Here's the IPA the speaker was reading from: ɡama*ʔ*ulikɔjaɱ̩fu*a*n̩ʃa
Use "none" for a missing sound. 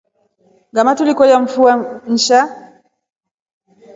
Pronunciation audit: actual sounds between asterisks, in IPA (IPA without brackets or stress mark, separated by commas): t, a